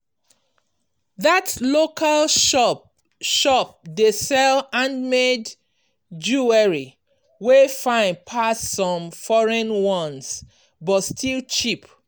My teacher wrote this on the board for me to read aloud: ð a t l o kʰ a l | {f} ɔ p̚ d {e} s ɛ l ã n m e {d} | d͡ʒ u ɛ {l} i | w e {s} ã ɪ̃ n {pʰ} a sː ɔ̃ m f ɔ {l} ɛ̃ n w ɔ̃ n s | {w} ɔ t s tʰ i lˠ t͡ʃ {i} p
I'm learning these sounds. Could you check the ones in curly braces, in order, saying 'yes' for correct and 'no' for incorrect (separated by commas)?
no, yes, yes, no, no, yes, no, no, yes